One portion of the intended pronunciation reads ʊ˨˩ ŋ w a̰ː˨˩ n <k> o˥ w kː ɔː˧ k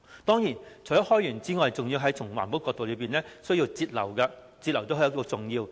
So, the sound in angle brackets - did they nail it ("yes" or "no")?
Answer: no